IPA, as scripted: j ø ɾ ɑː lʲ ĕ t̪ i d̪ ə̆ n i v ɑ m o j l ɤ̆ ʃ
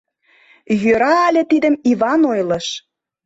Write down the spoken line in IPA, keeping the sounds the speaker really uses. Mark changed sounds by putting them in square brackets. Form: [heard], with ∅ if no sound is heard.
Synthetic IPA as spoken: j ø ɾ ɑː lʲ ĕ t̪ i d̪ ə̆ [m] i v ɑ [n] o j l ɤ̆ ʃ